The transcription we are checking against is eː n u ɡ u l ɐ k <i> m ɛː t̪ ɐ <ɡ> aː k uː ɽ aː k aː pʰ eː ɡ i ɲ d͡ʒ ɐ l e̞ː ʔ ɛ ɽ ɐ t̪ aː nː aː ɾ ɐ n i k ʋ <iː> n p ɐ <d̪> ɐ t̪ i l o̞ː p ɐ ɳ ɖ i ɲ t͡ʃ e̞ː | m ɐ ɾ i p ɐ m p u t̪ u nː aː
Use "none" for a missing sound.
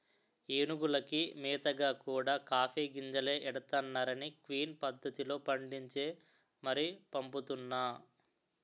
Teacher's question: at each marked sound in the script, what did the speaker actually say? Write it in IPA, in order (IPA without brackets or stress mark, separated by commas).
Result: i, ɡ, iː, d̪ː